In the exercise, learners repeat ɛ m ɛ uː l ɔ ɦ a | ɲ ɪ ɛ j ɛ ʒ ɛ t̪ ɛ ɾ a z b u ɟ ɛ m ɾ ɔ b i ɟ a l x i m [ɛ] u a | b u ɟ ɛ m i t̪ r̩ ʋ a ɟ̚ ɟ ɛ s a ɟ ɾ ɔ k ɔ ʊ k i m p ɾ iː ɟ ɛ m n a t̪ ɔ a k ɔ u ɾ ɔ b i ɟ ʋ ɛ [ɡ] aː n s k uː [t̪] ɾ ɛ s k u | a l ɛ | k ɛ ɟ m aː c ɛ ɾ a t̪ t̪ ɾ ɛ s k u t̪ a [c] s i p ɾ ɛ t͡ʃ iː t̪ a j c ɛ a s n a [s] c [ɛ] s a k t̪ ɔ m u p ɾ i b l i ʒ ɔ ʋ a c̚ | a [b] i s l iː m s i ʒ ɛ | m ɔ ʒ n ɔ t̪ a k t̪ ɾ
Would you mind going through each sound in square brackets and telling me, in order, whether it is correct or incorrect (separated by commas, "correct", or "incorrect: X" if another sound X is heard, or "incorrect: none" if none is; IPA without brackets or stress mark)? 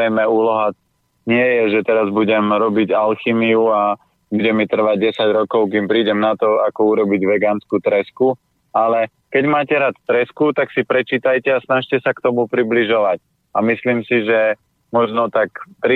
incorrect: i, correct, correct, incorrect: k, incorrect: ʃ, correct, incorrect: m